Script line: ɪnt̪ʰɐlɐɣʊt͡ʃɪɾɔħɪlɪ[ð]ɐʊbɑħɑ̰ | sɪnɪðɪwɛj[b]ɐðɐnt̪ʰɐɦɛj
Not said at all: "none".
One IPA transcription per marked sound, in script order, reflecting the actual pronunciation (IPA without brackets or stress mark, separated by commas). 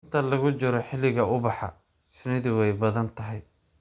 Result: ɣ, b